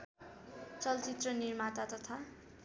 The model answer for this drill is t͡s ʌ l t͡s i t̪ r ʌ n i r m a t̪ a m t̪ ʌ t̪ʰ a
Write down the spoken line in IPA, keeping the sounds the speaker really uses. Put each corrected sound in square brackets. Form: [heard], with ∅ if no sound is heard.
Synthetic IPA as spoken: t͡s ʌ l t͡s i t̪ r ʌ n i r m a t̪ a [∅] t̪ ʌ t̪ʰ a

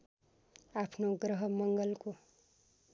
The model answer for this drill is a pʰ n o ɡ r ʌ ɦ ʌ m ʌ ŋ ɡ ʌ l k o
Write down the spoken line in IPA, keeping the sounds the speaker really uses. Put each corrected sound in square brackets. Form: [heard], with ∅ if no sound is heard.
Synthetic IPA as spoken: a pʰ n o ɡ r ʌ ɦ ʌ m ʌ ŋ ɡ ʌ l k o

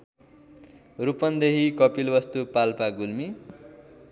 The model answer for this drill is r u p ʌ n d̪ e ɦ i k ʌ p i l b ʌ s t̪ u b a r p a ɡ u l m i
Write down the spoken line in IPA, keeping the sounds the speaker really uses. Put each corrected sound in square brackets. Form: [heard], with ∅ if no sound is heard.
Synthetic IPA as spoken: r u p ʌ n d̪ e ɦ i k ʌ p i l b ʌ s t̪ u [p] a [l] p a ɡ u l m i

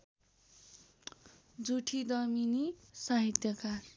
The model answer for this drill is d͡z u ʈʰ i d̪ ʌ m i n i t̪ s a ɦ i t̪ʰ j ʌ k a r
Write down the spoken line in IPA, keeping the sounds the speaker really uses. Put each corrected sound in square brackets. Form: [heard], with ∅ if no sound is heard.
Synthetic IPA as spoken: d͡z u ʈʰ i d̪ ʌ m i n i [∅] s a ɦ i [t̪] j ʌ k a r

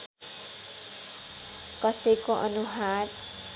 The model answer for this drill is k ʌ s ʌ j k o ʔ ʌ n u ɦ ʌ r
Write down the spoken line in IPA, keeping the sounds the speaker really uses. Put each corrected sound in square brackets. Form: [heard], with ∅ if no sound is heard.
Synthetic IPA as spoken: k ʌ s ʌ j k o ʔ ʌ n u ɦ [a] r

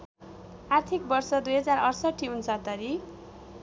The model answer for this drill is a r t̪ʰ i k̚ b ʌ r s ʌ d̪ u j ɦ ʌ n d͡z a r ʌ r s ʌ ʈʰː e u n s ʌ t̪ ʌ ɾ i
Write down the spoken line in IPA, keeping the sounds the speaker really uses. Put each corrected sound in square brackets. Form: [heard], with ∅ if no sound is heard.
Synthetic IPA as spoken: a r t̪ʰ i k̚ b ʌ r s ʌ d̪ u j ɦ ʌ [∅] d͡z a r ʌ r s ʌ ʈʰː [i] u n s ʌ t̪ ʌ ɾ i

